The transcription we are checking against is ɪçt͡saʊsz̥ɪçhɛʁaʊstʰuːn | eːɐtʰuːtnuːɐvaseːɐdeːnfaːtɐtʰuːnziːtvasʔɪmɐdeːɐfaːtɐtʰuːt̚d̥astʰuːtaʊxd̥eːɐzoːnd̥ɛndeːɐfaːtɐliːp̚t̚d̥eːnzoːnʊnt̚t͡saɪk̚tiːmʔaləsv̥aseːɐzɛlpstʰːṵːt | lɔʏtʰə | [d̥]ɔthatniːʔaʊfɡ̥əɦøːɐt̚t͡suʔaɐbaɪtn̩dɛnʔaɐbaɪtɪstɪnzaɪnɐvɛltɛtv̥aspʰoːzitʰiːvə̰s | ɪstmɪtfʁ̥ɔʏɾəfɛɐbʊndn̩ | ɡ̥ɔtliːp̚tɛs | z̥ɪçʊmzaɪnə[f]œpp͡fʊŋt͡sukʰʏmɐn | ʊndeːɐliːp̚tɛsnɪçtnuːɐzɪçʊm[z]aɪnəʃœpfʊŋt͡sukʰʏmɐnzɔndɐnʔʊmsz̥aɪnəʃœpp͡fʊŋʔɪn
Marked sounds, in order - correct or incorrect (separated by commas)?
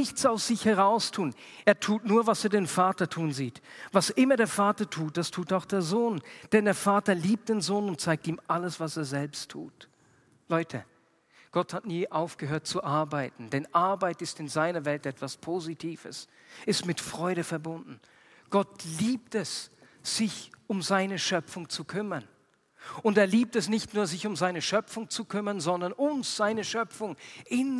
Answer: incorrect, incorrect, correct